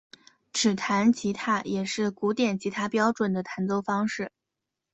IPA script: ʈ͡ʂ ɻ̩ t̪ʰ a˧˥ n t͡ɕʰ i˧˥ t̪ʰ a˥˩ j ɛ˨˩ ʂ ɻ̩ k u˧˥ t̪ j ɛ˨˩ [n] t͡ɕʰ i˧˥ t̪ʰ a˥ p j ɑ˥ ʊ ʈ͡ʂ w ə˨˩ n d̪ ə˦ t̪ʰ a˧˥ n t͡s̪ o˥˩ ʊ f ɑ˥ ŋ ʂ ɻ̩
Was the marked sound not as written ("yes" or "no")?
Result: no